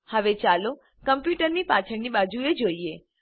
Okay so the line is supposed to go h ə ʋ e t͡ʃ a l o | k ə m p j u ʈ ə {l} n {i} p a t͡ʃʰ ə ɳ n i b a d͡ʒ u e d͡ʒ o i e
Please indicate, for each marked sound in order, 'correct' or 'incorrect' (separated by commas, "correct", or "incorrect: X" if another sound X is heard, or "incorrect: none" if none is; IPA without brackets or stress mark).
incorrect: ɾ, correct